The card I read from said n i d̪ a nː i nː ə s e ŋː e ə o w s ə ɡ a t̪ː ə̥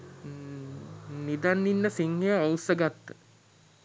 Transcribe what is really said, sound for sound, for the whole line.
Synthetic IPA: n i d̪ a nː i nː ə s i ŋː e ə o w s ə ɡ a t̪ː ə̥